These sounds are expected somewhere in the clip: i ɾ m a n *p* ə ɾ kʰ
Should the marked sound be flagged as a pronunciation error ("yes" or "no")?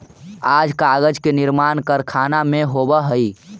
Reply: yes